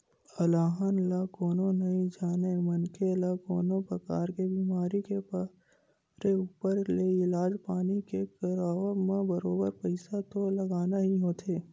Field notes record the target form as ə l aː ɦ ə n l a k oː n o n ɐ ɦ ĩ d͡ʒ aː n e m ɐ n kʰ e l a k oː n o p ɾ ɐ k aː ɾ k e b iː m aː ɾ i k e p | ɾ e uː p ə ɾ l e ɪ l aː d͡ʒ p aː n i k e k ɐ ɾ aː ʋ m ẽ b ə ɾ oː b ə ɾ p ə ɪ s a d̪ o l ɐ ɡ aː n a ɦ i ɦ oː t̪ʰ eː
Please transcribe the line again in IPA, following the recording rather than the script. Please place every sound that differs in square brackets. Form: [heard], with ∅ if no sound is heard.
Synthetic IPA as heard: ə l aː ɦ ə n l a k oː n o n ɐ ɦ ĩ d͡ʒ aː n e m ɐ n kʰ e l a k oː n o p ɾ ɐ k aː ɾ k e b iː m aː ɾ i k e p | ɾ e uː p ə ɾ l e ɪ l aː d͡ʒ p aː n i k e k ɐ ɾ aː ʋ m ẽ b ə ɾ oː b ə ɾ p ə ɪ s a [t̪] o l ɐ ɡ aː n a ɦ i ɦ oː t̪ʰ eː